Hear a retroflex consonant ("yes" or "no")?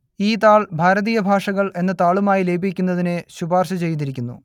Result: yes